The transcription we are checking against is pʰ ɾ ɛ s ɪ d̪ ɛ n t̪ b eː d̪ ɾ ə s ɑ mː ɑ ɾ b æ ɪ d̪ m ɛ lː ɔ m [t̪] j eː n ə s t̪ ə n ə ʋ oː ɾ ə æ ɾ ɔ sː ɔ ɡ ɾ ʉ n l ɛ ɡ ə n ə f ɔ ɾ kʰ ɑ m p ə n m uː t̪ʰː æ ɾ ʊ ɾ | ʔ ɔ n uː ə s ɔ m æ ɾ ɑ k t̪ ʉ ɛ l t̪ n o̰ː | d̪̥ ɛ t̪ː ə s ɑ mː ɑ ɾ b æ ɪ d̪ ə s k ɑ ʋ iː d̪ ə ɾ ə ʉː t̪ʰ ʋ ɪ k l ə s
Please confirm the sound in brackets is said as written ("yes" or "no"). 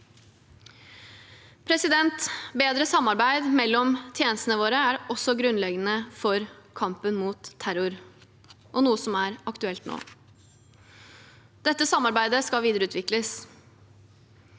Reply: no